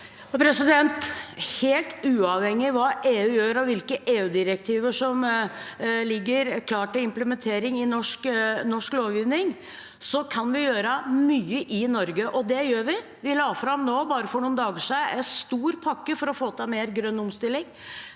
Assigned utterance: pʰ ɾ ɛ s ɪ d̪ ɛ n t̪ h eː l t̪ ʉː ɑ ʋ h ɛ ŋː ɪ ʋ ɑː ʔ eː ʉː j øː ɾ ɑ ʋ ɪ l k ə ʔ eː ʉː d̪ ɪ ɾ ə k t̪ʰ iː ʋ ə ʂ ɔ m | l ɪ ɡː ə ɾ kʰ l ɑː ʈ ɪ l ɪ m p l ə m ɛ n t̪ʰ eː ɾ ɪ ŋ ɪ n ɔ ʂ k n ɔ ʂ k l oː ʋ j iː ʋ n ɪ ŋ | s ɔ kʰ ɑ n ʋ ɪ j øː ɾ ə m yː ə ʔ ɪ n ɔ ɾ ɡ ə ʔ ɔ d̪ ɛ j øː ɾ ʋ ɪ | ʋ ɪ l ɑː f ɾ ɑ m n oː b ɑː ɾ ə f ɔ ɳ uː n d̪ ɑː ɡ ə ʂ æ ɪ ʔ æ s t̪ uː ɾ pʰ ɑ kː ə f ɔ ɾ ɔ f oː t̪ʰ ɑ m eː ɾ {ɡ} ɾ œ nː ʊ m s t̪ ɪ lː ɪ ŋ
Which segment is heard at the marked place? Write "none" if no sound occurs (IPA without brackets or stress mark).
ɡ